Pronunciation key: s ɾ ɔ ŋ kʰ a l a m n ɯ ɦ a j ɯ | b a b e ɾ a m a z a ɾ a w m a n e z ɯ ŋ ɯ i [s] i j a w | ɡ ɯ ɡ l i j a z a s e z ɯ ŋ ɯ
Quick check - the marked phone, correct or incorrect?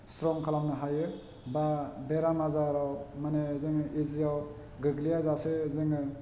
incorrect: z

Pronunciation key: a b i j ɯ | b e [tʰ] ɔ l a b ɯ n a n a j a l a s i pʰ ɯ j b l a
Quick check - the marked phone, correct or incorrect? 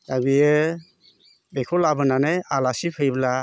incorrect: kʰ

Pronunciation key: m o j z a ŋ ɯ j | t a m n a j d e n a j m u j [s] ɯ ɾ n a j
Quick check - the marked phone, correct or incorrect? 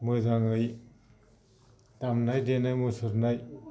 correct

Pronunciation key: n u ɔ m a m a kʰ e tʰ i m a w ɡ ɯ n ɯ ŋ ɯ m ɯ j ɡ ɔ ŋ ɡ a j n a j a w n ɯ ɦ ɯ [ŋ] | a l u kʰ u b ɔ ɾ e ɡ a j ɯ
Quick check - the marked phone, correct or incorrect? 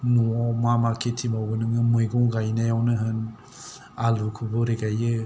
incorrect: n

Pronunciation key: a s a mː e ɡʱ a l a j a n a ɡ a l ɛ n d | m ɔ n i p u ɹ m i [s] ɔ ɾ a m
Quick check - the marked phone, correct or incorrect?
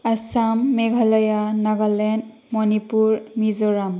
incorrect: z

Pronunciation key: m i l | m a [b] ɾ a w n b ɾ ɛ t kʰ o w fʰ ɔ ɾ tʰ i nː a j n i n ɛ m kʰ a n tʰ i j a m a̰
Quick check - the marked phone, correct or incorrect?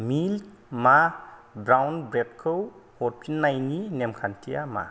correct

